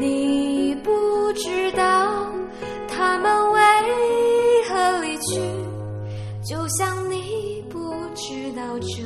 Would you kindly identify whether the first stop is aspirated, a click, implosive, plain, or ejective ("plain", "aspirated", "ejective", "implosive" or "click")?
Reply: plain